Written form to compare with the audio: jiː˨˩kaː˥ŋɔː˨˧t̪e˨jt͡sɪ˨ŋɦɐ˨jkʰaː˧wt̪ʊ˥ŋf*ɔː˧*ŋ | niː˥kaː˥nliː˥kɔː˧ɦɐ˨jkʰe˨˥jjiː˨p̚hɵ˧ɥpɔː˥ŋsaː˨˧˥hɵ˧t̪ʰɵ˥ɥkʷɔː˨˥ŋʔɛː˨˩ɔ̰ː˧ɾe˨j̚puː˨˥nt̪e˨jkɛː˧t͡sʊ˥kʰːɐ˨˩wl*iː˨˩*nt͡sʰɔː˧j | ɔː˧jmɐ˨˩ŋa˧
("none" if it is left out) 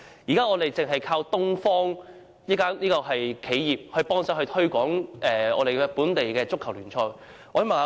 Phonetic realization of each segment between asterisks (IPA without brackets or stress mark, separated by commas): ɔː˥, yː˨˩